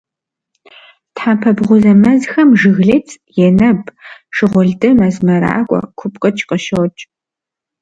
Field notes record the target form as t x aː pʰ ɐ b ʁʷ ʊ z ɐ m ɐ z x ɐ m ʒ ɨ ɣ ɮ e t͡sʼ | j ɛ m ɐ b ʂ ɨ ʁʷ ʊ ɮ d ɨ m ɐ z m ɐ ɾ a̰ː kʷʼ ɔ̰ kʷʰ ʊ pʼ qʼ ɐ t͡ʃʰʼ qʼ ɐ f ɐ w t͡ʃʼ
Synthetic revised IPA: t ħ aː pʰ ɐ b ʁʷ ʊ z ɐ m ɐ z x ɐ m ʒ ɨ ɣ ɮ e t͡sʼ | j ɛ n ɐ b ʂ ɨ ʁʷ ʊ ɮ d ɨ m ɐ z m ɐ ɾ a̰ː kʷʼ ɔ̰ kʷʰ ʊ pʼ qʼ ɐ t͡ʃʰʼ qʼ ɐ ʃ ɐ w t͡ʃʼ